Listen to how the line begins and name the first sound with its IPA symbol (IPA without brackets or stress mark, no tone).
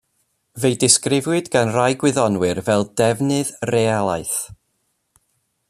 v